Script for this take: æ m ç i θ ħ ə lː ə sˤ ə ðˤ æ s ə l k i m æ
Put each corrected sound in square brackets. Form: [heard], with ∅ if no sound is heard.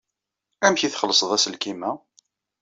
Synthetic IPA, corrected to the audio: æ m ç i θ [χ] ə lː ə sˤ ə ðˤ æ s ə l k i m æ